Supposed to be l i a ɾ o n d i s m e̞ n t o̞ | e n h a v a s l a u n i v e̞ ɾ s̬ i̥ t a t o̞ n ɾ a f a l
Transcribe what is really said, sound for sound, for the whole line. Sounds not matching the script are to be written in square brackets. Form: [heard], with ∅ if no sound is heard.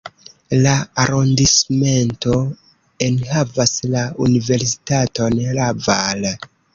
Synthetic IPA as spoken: l [a] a ɾ o n d i s m e̞ n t o̞ | e n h a v a s l a u n i v e̞ ɾ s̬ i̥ t a t o̞ n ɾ a [v] a l